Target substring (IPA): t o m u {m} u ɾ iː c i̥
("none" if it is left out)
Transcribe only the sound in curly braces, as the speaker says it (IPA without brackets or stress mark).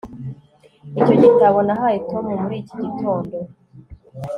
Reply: m